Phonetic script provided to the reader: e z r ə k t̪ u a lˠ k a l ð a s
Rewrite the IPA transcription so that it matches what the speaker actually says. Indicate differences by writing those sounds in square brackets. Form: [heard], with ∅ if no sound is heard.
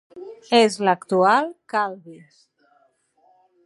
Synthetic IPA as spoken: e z [l] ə k t̪ u a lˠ k a l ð [i] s